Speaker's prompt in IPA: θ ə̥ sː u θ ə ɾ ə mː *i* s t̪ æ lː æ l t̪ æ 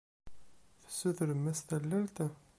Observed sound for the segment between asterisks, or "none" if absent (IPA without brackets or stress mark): æ